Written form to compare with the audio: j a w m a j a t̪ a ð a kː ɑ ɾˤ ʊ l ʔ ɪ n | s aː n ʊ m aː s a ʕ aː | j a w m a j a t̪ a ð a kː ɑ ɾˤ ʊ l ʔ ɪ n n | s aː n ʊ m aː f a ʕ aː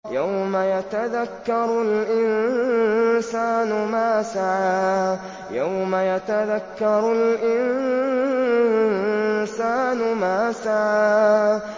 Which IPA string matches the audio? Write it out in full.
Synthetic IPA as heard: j a w m a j a t̪ a ð a kː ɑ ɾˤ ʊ l ʔ ɪ n | s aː n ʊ m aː s a ʕ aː | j a w m a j a t̪ a ð a kː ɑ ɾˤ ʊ l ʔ ɪ n n | s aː n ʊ m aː s a ʕ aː